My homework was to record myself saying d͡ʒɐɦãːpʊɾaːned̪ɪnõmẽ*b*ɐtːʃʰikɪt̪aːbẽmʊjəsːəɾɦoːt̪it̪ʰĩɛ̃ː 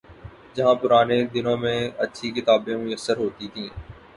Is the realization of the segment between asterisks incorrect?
yes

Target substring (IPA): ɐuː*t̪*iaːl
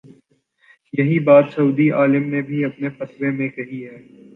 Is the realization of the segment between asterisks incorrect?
yes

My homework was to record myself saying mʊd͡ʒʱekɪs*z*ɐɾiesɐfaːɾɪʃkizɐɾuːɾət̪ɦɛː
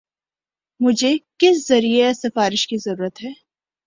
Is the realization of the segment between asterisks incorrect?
no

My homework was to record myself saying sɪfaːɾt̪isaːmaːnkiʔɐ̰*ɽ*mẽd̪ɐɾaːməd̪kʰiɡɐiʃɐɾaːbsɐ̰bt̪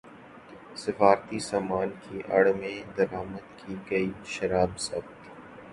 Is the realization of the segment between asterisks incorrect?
no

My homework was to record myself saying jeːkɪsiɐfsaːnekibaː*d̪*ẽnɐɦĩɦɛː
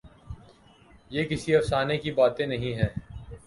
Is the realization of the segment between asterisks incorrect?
yes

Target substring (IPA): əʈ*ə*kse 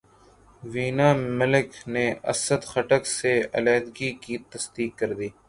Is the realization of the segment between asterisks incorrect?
no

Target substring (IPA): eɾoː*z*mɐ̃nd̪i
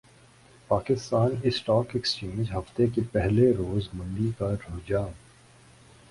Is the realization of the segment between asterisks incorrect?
no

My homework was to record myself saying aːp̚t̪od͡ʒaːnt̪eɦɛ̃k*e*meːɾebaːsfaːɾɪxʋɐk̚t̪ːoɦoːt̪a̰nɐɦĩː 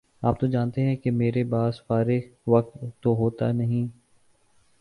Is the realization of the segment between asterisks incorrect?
no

